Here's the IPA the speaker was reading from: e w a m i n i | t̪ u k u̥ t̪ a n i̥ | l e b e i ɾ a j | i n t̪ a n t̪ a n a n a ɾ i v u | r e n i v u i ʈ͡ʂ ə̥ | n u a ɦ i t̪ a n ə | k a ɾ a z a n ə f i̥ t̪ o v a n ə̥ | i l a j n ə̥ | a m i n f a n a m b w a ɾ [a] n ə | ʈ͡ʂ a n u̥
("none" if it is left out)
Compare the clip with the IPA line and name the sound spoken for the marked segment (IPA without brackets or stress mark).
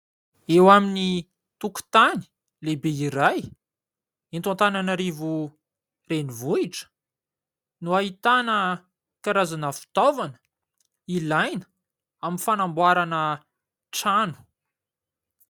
a